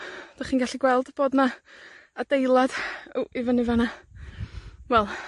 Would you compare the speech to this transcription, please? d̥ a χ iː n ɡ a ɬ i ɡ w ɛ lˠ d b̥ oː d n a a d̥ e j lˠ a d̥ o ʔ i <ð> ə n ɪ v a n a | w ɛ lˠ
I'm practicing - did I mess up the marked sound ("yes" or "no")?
yes